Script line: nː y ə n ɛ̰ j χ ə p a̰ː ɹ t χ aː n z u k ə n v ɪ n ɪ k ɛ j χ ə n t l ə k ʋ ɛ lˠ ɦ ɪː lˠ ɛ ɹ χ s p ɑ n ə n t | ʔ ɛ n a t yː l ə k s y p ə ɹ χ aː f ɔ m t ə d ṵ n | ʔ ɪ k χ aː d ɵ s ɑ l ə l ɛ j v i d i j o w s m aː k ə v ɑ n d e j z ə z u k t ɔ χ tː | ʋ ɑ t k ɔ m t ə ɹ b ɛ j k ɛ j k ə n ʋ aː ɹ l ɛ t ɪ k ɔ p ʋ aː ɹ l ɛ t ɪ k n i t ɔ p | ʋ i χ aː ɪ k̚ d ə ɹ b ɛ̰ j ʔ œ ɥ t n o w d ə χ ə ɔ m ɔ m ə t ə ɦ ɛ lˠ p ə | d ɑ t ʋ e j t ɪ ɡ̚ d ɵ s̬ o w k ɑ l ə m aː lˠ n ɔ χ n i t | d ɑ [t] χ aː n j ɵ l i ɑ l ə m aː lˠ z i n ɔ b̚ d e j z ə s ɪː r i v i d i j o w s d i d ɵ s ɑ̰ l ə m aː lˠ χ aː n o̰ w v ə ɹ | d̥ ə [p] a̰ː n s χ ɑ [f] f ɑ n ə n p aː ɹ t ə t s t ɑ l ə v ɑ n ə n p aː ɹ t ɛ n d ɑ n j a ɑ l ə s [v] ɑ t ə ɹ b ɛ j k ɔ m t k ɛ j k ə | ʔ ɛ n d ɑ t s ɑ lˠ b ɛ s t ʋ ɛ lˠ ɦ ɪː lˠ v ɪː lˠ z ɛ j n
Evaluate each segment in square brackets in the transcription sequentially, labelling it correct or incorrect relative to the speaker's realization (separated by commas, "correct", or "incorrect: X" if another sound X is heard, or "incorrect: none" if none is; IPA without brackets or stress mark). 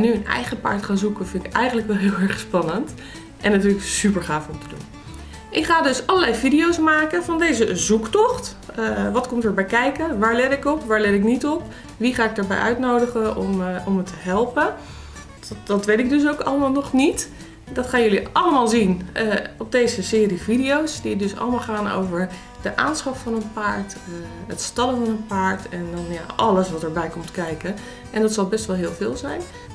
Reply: correct, incorrect: ʔ, correct, incorrect: ʋ